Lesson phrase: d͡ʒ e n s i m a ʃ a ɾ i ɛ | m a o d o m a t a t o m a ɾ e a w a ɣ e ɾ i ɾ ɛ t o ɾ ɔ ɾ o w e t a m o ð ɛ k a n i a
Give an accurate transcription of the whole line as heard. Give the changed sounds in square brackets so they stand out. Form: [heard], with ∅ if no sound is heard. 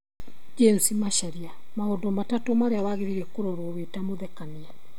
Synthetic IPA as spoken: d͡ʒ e n s i m a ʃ a ɾ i [a] | m a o d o m a t a t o m a ɾ e a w a ɣ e ɾ i ɾ ɛ [k] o ɾ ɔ ɾ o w e t a m o ð ɛ k a n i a